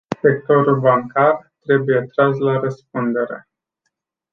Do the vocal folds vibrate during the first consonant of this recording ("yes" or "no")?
no